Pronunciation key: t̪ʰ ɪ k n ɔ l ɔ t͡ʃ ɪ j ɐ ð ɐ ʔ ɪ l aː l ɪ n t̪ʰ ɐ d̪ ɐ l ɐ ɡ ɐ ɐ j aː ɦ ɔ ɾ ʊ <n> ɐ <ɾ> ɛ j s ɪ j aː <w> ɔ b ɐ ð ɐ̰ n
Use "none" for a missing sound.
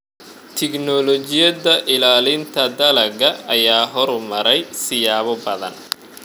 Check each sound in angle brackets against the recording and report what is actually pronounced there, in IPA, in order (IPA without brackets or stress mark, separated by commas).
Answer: m, ɾ, β